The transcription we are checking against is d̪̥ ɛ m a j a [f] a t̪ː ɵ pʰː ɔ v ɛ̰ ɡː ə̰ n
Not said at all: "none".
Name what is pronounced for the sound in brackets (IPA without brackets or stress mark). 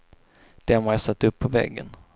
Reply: s